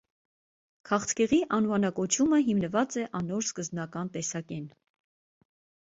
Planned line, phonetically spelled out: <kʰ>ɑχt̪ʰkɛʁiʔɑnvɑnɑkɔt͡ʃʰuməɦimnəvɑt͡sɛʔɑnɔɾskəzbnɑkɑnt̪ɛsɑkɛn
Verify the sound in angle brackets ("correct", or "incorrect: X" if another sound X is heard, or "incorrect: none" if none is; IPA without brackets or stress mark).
correct